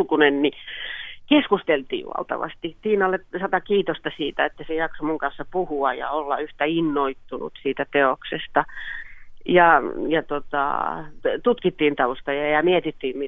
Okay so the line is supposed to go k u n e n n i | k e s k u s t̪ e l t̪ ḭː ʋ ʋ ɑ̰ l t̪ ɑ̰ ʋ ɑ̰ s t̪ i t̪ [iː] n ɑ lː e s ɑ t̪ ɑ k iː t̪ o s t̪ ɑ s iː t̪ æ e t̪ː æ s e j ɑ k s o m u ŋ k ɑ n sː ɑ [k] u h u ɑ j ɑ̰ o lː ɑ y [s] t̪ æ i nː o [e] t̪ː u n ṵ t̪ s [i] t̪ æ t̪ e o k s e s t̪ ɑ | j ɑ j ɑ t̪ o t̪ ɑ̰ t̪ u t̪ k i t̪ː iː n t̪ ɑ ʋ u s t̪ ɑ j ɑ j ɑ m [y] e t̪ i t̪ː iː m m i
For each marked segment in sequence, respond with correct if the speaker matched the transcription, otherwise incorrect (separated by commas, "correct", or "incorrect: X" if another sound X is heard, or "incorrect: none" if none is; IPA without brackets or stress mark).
correct, incorrect: p, incorrect: h, incorrect: i, incorrect: iː, incorrect: i